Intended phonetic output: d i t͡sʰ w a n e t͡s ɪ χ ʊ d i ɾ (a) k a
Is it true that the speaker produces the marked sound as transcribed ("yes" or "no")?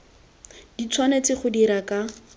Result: yes